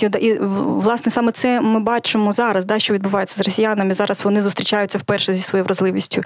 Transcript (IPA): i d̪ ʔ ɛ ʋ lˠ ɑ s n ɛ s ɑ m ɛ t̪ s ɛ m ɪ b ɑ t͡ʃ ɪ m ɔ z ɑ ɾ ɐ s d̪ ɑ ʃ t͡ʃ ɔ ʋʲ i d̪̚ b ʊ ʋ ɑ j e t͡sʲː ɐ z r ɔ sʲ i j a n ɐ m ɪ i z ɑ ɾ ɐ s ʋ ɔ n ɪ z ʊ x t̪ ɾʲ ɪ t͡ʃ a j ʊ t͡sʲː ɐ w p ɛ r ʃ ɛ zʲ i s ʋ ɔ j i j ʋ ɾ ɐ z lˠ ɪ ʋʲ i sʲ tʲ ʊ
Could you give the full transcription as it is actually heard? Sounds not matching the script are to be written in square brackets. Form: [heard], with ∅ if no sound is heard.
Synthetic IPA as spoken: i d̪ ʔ [i] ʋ lˠ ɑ s n ɛ s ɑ m ɛ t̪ s ɛ m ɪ b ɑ t͡ʃ ɪ m ɔ z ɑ ɾ ɐ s d̪ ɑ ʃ t͡ʃ ɔ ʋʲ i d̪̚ b ʊ ʋ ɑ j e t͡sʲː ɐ z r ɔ sʲ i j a n ɐ m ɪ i z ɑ ɾ ɐ s ʋ ɔ n ɪ z ʊ [s] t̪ ɾʲ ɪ t͡ʃ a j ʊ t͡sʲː ɐ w p ɛ r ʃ ɛ zʲ i s ʋ ɔ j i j ʋ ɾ ɐ z lˠ ɪ ʋʲ i sʲ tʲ ʊ